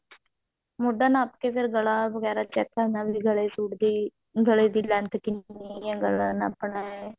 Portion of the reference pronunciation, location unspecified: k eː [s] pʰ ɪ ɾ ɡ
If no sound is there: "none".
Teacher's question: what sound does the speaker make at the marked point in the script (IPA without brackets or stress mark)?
none